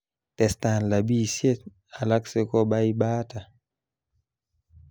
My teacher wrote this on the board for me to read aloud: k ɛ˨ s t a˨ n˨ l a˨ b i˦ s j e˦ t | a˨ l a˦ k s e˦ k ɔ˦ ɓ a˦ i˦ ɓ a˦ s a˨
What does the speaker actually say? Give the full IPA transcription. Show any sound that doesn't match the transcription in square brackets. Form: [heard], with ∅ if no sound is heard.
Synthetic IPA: [t] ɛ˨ s t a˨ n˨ l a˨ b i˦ s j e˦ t | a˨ l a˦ k s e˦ k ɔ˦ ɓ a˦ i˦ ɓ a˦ [t] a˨